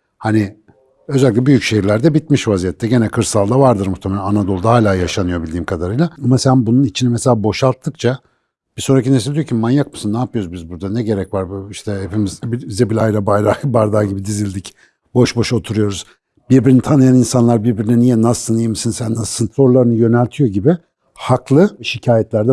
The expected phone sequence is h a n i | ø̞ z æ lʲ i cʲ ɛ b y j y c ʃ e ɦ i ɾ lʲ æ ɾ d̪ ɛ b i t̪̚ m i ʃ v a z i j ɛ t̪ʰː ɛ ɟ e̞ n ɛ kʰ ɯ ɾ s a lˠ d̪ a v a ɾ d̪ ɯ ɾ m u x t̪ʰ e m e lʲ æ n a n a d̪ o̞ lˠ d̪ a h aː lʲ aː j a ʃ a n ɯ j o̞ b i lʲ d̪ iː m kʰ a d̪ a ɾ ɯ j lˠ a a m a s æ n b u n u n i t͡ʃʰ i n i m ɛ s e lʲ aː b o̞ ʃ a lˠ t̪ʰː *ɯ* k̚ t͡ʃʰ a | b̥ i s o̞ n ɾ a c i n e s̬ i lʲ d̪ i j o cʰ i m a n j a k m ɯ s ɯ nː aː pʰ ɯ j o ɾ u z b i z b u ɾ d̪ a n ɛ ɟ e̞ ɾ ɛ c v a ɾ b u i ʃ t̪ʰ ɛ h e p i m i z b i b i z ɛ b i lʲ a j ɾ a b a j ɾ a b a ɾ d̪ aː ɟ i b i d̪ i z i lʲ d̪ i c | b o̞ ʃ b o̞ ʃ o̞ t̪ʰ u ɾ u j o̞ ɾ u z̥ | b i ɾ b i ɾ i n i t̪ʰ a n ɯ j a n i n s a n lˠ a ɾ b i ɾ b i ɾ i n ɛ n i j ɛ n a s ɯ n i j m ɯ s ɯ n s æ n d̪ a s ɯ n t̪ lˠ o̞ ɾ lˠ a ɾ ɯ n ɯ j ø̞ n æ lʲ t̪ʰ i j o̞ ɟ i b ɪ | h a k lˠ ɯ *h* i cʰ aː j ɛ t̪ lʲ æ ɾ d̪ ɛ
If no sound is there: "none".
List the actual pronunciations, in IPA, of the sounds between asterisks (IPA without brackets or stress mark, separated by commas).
ɯ, ʃ